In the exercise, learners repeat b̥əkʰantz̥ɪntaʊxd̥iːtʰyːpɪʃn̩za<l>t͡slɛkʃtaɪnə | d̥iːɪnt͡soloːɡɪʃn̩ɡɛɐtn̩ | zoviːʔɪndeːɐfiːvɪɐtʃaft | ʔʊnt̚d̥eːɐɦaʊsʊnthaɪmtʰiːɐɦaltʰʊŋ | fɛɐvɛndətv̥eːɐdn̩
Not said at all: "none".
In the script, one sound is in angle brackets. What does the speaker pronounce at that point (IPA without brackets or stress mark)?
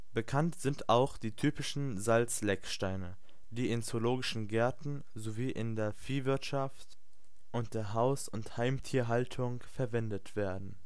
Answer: l